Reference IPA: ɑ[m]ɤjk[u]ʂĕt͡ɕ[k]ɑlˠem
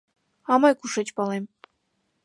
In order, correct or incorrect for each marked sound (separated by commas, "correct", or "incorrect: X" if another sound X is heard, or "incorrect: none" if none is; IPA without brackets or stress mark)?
correct, correct, incorrect: p